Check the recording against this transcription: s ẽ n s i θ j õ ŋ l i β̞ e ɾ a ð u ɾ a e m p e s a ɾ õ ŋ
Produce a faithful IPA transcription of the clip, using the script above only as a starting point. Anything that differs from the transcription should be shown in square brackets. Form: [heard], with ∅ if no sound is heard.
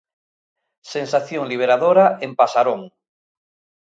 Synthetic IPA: s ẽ n s [a] θ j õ ŋ l i β̞ e ɾ a ð [o] ɾ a e m p [a] s a ɾ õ ŋ